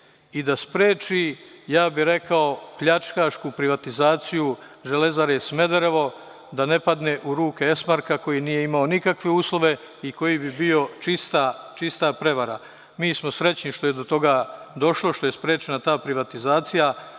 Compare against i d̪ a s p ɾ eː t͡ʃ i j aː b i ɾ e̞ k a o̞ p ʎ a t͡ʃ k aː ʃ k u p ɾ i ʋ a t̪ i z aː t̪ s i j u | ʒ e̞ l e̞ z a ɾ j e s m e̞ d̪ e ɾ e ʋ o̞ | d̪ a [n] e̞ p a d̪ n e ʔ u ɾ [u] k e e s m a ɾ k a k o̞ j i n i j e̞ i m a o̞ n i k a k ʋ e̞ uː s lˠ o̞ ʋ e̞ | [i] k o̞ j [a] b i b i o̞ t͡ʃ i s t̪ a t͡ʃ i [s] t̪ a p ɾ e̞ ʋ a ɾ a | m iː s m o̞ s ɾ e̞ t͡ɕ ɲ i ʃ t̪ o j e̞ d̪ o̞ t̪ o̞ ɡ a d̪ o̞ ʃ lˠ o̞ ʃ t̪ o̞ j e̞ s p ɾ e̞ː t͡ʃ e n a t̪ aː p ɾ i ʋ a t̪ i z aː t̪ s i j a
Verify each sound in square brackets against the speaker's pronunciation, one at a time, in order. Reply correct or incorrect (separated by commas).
correct, incorrect, correct, incorrect, correct